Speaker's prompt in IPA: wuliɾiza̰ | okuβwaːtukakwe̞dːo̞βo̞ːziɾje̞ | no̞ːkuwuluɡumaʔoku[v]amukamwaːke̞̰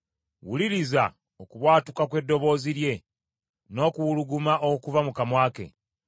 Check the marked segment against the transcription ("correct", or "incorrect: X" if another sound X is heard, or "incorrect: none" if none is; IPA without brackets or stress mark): correct